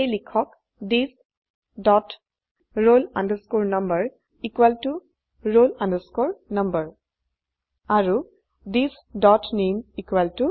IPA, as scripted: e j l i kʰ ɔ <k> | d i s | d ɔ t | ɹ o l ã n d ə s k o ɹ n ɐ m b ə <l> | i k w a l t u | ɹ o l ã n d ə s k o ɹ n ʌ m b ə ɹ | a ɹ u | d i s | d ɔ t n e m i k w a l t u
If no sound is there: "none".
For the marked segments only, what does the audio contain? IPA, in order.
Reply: k, ɹ

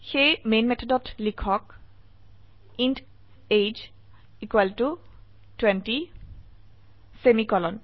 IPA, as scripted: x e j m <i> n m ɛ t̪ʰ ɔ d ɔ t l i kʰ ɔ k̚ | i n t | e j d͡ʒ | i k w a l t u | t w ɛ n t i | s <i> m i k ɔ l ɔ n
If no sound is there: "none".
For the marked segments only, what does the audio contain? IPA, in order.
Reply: e, e

